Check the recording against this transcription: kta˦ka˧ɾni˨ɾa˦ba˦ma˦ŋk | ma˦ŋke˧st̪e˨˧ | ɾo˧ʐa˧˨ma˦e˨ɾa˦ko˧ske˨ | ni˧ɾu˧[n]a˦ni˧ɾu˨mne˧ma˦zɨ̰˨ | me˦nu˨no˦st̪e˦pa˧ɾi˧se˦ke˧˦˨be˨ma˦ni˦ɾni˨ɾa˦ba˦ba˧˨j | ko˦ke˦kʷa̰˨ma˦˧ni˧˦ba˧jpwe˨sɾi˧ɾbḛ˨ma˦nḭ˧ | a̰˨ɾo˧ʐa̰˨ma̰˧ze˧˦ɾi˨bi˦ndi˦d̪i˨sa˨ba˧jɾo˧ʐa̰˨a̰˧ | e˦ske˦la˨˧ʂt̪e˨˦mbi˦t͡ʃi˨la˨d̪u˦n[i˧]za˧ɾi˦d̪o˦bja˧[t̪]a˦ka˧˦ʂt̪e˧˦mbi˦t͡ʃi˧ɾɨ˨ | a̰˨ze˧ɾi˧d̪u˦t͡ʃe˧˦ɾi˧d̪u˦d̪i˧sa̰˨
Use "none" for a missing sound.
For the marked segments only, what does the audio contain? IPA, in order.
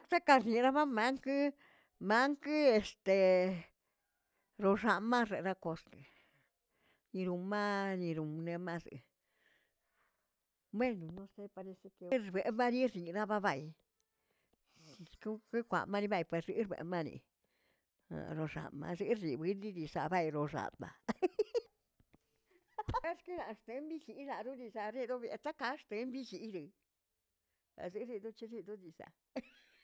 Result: m, i˧, t̪

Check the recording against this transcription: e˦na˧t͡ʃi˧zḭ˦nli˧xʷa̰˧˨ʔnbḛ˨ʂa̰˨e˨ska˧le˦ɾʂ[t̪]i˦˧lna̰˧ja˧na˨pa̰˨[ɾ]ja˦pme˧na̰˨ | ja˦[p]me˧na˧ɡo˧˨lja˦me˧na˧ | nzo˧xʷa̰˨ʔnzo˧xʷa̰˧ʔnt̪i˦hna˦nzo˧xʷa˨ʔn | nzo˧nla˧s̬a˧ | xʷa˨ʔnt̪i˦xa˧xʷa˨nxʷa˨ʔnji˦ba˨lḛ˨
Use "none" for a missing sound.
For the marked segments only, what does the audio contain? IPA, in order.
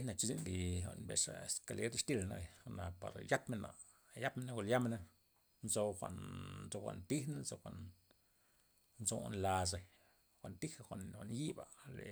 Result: t̪, ɾ, p

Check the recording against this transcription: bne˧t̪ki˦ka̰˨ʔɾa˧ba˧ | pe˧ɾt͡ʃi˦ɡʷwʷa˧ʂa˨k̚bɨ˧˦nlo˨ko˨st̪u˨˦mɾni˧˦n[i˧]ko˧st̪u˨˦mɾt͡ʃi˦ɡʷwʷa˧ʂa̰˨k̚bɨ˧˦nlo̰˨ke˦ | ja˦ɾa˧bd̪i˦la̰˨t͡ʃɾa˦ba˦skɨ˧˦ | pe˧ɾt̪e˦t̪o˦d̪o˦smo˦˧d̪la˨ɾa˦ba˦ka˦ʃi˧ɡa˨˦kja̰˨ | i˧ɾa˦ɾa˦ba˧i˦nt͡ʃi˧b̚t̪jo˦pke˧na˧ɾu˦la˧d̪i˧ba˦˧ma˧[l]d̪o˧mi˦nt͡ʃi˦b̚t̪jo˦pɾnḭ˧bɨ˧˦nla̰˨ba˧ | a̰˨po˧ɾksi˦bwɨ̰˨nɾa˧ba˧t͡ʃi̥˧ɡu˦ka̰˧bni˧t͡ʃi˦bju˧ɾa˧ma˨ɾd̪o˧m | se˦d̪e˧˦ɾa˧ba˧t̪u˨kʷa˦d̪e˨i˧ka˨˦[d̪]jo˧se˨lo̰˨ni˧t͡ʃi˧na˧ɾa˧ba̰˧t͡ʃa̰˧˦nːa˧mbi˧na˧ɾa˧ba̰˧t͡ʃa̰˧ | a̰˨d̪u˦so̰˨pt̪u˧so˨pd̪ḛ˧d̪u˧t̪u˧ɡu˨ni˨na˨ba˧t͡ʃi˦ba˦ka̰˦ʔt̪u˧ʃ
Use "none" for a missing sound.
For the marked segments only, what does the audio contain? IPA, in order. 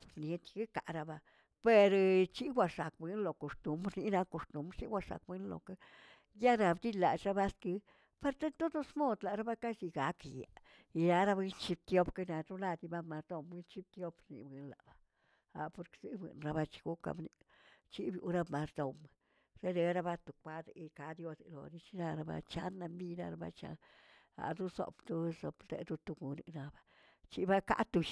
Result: a˧, ɾ, d̪

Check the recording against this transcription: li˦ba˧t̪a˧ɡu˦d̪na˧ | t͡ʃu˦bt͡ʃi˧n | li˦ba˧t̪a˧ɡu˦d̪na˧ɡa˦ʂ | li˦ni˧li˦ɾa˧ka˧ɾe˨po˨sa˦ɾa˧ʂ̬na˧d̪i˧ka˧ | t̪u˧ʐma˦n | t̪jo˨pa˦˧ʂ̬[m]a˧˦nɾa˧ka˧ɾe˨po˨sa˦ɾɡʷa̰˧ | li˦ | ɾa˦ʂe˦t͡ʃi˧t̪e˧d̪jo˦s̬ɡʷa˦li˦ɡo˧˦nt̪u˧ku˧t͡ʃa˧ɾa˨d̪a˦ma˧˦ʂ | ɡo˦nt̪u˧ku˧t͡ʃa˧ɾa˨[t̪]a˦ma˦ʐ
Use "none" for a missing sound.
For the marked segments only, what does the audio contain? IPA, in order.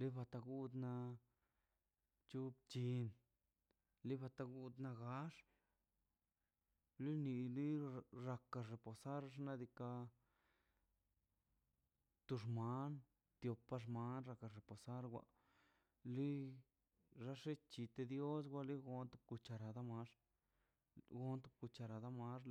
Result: m, d̪

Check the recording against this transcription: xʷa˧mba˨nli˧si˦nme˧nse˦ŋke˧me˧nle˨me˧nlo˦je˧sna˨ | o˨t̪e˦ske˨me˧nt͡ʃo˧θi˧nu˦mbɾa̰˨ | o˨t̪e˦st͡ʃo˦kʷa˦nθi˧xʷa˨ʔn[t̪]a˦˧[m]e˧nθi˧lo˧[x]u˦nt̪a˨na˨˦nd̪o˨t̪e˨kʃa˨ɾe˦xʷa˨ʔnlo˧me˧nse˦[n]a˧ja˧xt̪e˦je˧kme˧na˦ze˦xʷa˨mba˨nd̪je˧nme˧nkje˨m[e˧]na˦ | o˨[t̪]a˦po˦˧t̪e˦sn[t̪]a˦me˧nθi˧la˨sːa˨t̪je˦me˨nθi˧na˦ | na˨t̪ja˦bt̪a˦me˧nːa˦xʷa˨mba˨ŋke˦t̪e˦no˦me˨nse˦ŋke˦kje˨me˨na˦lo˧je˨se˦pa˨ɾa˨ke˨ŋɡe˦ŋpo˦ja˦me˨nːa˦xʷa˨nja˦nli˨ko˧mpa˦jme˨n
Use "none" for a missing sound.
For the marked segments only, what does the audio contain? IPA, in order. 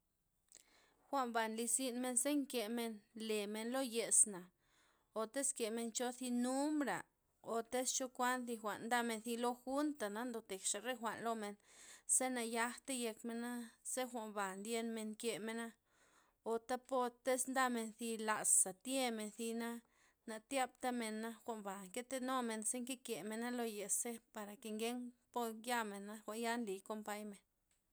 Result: d̪, m, x, n, e˧, t̪, d̪

